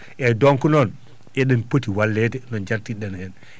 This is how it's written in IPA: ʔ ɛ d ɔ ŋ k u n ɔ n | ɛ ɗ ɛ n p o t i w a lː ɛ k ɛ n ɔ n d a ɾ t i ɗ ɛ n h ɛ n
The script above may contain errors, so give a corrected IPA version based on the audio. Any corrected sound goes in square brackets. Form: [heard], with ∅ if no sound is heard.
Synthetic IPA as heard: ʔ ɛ d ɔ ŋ k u n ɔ n | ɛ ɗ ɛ n p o t i w a lː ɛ [t] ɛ n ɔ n [d͡ʒ] a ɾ t i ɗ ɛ n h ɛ n